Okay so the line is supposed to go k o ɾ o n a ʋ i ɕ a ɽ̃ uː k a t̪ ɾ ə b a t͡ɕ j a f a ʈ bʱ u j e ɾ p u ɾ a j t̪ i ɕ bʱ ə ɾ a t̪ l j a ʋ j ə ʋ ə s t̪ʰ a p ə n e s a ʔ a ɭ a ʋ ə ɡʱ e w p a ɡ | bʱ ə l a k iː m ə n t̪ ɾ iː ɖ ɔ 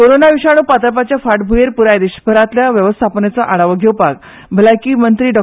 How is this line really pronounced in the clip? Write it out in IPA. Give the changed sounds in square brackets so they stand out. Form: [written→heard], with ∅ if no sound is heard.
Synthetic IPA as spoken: k o ɾ o n a ʋ i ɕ a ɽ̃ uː [k→p] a t̪ ɾ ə [b→p] a t͡ɕ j a f a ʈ bʱ u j e ɾ p u ɾ a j [t̪→d̪] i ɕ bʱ ə ɾ a t̪ l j a ʋ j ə ʋ ə s t̪ʰ a p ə n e [s→t͡s] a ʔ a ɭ a ʋ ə ɡʱ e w p a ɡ | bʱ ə l a k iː m ə n t̪ ɾ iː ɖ ɔ

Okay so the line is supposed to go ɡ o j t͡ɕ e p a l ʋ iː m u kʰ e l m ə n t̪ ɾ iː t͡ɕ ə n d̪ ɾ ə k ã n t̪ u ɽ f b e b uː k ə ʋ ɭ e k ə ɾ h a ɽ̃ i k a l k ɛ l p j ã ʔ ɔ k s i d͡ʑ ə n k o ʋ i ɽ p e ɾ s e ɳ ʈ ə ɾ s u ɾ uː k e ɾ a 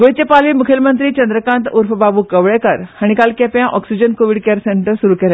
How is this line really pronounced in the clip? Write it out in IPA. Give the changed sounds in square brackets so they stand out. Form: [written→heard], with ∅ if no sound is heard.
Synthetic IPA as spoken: ɡ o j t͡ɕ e p a l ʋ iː m u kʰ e l m ə n t̪ ɾ iː t͡ɕ ə n d̪ ɾ ə k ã n t̪ u [ɽ→ɾ] f b [e→a] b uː k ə ʋ ɭ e k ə ɾ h a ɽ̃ i k a l k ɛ [l→∅] p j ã ʔ ɔ k s i d͡ʑ ə n k o ʋ i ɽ [p→k] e ɾ s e ɳ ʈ ə ɾ s u ɾ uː k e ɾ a

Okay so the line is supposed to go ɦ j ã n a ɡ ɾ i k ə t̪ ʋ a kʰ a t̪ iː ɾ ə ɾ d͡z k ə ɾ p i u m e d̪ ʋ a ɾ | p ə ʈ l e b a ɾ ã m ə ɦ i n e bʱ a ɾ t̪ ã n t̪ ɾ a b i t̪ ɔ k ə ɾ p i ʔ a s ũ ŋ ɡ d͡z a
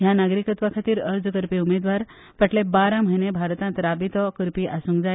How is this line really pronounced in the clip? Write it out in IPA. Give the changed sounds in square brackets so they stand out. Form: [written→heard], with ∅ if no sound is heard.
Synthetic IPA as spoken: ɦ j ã n a ɡ ɾ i k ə t̪ ʋ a kʰ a t̪ iː ɾ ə ɾ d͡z k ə ɾ p i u m e d̪ ʋ a ɾ | p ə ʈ l e b a ɾ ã m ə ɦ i n e bʱ a ɾ t̪ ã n t̪ ɾ a b i t̪ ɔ k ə ɾ p i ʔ a s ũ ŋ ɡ d͡z a

